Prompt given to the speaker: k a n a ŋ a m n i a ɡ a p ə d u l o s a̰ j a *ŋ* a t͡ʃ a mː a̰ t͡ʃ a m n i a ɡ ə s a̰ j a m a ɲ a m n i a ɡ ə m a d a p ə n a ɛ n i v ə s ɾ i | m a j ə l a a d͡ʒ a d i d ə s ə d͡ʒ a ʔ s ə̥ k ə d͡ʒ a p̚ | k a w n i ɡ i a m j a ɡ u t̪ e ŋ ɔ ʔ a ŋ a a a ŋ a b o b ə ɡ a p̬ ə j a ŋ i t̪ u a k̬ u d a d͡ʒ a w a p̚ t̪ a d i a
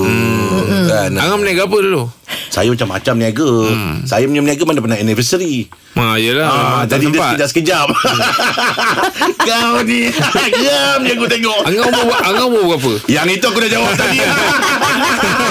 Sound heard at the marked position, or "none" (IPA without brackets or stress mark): m